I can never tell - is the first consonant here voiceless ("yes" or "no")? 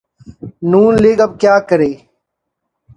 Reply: no